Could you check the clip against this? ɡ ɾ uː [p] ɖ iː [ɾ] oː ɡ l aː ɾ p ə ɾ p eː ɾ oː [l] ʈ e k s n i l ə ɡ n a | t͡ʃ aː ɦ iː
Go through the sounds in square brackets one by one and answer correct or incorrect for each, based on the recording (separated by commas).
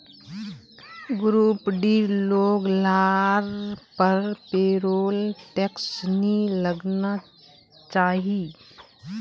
correct, incorrect, correct